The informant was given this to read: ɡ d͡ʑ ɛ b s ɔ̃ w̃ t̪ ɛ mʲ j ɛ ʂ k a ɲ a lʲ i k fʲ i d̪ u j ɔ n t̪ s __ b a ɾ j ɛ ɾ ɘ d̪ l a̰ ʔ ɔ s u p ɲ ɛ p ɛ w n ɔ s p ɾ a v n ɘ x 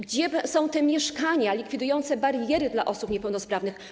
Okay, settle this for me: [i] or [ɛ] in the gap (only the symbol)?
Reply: ɛ